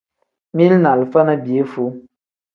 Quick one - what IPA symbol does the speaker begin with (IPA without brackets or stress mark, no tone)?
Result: m